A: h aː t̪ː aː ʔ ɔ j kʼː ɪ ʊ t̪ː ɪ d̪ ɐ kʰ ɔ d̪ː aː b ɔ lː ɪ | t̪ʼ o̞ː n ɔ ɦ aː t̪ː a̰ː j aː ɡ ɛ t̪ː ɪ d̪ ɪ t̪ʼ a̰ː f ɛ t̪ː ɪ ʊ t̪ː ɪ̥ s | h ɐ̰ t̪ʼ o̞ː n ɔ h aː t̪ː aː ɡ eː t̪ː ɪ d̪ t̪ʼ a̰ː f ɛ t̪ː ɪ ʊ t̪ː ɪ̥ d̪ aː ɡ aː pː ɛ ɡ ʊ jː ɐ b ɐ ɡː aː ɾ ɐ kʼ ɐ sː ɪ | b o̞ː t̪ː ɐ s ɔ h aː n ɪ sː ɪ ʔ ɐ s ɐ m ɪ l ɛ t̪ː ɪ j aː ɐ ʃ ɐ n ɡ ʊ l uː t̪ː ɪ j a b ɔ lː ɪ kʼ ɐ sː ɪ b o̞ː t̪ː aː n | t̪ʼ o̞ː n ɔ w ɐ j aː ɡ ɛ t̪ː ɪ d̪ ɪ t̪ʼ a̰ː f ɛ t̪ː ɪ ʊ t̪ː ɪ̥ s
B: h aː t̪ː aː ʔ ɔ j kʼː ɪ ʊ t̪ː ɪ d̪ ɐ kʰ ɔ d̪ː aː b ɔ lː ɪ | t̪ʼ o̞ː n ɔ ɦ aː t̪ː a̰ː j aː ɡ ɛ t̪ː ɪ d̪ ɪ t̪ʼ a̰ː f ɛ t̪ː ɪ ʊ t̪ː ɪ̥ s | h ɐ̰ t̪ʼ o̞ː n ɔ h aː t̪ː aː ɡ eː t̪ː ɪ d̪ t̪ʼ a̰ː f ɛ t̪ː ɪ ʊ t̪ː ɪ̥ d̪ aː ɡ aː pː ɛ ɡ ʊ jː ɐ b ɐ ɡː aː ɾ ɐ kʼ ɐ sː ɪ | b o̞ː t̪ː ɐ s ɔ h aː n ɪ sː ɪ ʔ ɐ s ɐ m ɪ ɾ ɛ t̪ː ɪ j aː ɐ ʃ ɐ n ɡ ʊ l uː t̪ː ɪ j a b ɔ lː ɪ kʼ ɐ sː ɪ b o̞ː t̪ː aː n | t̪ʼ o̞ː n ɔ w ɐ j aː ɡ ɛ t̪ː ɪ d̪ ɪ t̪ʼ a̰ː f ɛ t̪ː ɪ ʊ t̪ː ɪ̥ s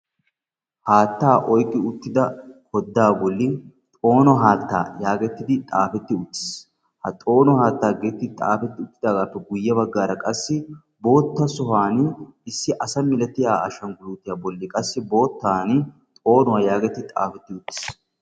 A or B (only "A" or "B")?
A